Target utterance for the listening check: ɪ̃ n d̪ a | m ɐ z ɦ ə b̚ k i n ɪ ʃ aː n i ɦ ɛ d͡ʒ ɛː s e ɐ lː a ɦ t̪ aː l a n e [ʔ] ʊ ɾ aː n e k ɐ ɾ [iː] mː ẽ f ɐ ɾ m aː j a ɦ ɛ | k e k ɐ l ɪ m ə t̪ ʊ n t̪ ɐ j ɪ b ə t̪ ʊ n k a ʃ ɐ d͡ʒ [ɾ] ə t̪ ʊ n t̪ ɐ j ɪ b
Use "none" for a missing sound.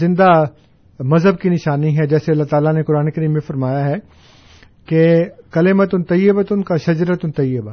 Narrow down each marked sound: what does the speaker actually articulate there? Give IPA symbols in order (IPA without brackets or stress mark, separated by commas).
k, iː, ɾ